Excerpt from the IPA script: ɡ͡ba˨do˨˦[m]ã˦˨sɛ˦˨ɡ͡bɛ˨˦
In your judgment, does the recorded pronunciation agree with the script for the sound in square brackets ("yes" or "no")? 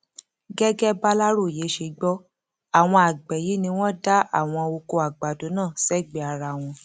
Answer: no